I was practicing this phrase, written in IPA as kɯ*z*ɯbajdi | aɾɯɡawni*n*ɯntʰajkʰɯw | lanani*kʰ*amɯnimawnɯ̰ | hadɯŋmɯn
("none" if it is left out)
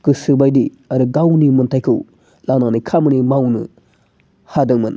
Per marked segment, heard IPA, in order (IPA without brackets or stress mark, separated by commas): s, m, kʰ